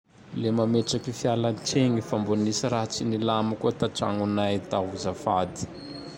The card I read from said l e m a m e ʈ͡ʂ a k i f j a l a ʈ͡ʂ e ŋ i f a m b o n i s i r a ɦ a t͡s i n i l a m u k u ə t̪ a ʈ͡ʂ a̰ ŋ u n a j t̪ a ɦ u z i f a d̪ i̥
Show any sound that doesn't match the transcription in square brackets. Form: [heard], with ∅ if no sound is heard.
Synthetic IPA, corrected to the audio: l e m a m e ʈ͡ʂ a k i f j a l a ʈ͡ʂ e ŋ i f a m b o n i s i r a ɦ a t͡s i n i l a m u k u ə t̪ a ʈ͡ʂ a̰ ŋ u n a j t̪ a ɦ u z [a] f a d̪ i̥